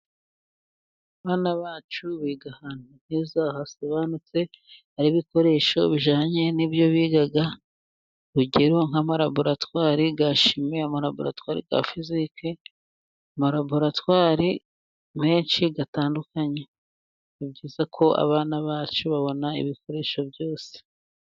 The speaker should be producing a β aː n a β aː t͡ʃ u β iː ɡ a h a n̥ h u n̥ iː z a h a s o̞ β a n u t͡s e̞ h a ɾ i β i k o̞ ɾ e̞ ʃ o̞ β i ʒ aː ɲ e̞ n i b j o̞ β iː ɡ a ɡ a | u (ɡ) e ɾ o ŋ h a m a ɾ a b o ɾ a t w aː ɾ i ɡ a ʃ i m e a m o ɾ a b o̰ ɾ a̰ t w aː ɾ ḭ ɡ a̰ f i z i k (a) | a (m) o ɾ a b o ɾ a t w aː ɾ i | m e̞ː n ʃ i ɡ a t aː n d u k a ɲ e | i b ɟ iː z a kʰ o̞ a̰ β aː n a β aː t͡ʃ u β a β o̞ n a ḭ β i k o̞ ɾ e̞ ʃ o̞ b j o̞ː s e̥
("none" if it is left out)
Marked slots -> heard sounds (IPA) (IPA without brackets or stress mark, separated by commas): ɟ, e, m